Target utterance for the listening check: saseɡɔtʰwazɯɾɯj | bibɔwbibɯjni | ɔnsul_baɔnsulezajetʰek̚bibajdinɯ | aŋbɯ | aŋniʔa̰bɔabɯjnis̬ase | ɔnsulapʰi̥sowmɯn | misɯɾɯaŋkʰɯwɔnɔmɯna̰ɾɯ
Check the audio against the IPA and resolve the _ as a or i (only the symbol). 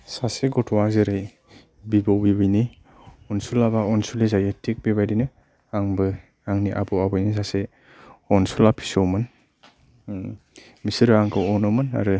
a